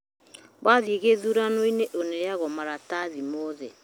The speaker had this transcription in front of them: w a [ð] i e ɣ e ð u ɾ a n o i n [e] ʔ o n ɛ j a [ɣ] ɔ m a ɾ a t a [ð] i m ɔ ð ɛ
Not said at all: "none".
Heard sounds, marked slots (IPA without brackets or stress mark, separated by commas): ð, e, ɣ, ð